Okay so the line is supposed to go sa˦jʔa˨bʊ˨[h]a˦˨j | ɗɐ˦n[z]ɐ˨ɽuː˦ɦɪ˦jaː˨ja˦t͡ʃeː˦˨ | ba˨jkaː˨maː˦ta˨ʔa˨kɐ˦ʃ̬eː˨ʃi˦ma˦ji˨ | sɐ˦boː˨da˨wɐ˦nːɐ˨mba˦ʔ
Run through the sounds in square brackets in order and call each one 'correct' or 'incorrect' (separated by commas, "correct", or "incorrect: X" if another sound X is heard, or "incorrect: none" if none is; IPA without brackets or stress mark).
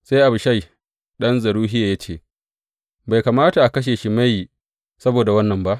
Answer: incorrect: ʃ, correct